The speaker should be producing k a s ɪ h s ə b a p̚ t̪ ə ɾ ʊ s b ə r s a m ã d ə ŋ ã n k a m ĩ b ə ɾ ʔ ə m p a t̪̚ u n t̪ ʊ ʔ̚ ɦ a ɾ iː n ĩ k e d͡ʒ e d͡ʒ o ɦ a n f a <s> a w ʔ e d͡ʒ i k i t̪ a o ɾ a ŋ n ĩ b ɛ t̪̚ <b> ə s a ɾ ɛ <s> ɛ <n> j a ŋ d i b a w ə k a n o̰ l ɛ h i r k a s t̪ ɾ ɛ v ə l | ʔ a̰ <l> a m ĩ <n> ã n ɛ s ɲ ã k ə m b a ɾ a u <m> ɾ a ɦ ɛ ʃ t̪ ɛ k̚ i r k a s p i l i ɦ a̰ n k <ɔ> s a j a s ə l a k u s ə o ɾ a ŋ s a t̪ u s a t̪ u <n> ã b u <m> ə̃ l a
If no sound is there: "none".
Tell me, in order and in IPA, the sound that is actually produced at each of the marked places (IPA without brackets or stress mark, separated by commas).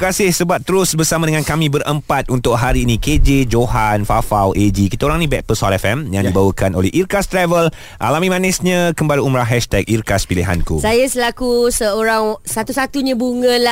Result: f, p, f, m, l, m, m, u, ɲ, ŋ